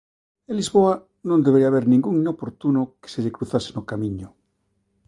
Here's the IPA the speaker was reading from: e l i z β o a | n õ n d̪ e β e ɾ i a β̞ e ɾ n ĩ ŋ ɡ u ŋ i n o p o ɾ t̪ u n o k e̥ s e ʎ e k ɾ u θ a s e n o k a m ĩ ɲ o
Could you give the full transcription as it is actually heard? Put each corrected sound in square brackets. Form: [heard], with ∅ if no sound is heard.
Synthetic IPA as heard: e l i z β o a | n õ n d̪ e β e ɾ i a β̞ e ɾ n ĩ ŋ ɡ u ŋ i n o p o ɾ t̪ u n o k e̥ s e ʎ e k ɾ u θ a s e n o k a m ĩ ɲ o